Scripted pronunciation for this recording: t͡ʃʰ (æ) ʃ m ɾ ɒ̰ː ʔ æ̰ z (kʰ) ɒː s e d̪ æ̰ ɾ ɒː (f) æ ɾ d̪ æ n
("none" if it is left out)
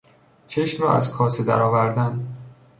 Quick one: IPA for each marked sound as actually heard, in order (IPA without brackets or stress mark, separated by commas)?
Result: e, kʰ, v